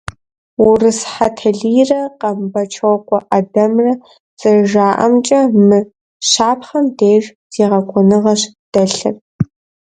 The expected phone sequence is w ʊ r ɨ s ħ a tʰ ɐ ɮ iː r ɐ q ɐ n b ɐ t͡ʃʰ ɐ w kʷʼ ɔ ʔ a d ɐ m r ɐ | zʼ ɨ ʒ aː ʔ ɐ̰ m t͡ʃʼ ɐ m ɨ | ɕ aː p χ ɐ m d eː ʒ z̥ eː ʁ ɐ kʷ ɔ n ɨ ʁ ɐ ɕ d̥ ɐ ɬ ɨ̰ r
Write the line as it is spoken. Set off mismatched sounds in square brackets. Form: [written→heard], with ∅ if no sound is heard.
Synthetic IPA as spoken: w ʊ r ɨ s ħ a tʰ ɐ ɮ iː r ɐ q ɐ [n→m] b ɐ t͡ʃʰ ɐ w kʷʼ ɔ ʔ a d ɐ m r ɐ | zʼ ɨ ʒ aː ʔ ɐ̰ m t͡ʃʼ ɐ m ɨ | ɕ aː p χ ɐ m d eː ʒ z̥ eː ʁ ɐ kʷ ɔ n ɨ ʁ ɐ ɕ d̥ ɐ ɬ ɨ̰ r